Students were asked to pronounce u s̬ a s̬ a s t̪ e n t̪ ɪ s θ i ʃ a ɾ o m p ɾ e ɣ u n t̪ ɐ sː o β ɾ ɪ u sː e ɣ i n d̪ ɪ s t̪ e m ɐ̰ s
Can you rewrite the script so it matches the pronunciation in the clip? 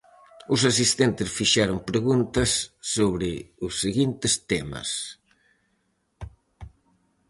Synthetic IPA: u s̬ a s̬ i s t̪ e n t̪ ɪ s f i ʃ a ɾ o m p ɾ e ɣ u n t̪ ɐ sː o β ɾ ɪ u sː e ɣ i n t̪ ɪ s t̪ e m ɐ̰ s

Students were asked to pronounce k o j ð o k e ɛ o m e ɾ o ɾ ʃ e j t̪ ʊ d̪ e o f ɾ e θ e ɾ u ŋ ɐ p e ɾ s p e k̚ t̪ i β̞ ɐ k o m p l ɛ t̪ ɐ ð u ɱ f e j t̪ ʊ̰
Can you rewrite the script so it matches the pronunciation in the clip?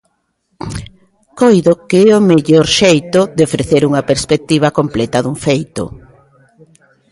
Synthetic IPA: k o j ð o k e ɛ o m e ʎ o ɾ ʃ e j t̪ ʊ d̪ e o f ɾ e θ e ɾ u ŋ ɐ p e ɾ s p e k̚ t̪ i β̞ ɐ k o m p l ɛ t̪ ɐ ð u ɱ f e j t̪ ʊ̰

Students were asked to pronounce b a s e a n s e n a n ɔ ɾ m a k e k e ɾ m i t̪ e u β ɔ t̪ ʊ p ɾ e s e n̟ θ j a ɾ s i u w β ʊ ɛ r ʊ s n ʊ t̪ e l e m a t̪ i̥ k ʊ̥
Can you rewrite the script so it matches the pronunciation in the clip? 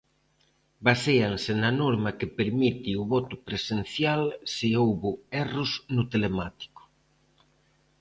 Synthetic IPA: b a s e a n s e n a n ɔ ɾ m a k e p e ɾ m i t̪ i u β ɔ t̪ ʊ p ɾ e s e n̟ θ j a l s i o w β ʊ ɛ r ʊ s n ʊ t̪ e l e m a t̪ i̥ k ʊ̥

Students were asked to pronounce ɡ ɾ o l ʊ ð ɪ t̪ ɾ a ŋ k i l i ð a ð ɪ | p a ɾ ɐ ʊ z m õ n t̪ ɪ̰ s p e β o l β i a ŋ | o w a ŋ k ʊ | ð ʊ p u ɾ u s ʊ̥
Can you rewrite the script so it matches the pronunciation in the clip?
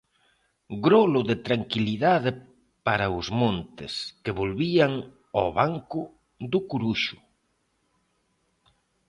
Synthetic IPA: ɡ ɾ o l ʊ ð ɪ t̪ ɾ a ŋ k i l i ð a ð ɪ | p a ɾ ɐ ʊ z m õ n t̪ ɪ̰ s k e β o l β i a ŋ | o β a ŋ k ʊ | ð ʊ k u ɾ u ʃ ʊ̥

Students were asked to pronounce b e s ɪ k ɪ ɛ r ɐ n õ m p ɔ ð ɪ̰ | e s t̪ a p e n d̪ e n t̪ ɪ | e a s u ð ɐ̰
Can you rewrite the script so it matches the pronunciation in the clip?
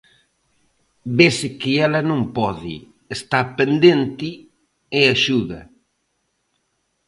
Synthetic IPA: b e s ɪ k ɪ ɛ l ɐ n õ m p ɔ ð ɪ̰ | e s t̪ a p e n d̪ e n t̪ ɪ | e a ʃ u ð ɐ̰

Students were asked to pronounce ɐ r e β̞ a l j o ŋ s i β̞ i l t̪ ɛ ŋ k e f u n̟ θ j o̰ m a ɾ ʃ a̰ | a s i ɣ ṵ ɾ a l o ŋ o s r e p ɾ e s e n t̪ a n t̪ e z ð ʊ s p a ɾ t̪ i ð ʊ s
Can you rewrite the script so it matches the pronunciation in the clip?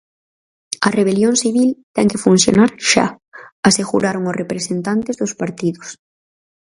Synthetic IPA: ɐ r e β̞ e l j o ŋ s i β̞ i l t̪ ɛ ŋ k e f u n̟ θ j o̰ n a ɾ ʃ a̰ | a s e ɣ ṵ ɾ a ɾ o ŋ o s r e p ɾ e s e n t̪ a n t̪ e z ð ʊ s p a ɾ t̪ i ð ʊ s

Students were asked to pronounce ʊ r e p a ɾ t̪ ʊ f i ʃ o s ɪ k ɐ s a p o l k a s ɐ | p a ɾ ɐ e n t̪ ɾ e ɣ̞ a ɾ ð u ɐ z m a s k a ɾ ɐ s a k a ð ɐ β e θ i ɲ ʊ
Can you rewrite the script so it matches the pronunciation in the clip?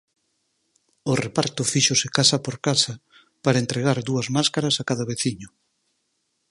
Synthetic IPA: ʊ r e p a ɾ t̪ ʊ f i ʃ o s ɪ k a s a p o ɾ k a s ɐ | p a ɾ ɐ e n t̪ ɾ e ɣ̞ a ɾ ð u ɐ z m a s k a ɾ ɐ s a k a ð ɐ β e θ i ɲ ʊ

